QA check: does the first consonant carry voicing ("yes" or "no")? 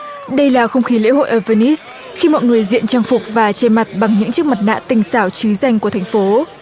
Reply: yes